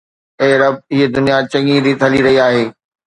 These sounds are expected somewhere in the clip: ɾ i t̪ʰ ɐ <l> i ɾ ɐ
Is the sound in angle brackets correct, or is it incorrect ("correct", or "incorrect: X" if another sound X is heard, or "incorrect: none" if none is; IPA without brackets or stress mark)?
correct